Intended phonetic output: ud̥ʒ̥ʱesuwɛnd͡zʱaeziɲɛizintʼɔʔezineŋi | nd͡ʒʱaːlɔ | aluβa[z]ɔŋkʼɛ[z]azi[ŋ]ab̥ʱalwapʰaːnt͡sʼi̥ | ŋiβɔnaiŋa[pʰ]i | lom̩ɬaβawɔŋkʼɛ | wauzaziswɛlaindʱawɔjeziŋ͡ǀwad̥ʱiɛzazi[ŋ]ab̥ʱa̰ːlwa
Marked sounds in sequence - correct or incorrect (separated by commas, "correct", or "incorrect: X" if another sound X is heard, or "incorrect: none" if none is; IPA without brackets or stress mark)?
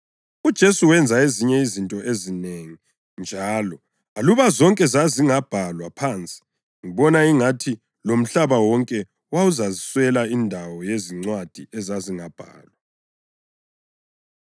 correct, correct, correct, incorrect: tʰ, correct